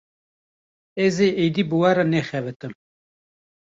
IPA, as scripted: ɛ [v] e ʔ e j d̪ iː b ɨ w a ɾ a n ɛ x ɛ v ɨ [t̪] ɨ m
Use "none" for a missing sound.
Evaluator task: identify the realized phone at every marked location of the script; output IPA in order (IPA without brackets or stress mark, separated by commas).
z, t̪